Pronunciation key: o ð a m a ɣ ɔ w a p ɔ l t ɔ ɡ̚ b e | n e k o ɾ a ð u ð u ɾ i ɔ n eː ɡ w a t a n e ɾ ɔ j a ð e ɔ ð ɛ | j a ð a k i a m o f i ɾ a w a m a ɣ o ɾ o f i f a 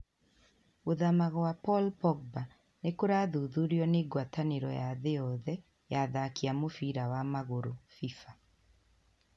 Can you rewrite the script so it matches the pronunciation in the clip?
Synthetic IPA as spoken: o ð a m a ɣ ɔ w a p ɔ l p ɔ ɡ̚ b a | n e k o ɾ a ð u ð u ɾ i ɔ n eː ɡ w a t a n e ɾ ɔ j a ð e ɔ ð ɛ | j a ð a k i a m o f i ɾ a w a m a ɣ o ɾ o f i f a